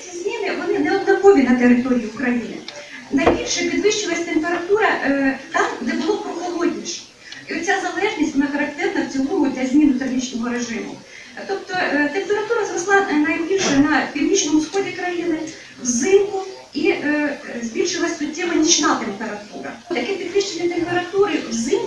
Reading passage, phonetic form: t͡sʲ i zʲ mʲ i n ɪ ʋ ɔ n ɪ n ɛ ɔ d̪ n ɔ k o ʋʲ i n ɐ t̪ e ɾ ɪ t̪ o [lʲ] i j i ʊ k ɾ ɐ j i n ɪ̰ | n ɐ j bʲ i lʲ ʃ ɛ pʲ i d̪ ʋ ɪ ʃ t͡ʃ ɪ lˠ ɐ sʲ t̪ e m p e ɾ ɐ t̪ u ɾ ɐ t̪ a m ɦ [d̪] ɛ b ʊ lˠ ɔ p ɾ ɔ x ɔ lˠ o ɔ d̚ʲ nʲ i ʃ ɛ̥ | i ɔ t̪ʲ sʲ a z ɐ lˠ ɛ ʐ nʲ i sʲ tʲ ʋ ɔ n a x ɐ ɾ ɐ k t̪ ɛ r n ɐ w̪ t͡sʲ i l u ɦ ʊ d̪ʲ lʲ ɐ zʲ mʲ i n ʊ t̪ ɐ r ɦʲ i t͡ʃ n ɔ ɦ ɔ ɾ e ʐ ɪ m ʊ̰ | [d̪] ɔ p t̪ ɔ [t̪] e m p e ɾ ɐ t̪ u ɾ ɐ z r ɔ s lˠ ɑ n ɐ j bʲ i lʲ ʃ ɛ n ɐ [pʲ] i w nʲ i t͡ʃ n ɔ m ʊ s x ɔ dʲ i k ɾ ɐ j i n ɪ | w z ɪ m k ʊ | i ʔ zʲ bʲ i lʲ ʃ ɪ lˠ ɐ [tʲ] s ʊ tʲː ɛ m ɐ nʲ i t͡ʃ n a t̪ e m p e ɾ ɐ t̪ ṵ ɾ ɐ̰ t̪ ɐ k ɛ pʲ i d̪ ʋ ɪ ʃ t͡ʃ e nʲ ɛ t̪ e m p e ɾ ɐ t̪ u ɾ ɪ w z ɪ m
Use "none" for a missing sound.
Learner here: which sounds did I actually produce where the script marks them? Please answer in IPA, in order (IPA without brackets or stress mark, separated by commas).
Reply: ɾʲ, d̪, t̪, t̪, pʲ, sʲ